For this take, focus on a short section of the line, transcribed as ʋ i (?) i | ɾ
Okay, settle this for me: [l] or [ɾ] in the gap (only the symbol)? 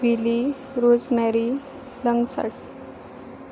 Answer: l